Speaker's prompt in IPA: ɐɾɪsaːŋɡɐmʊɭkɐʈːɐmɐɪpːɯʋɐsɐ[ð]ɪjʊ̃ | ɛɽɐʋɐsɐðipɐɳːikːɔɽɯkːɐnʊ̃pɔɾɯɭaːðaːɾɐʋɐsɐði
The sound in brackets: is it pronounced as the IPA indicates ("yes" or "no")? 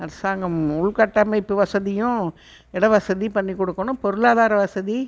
yes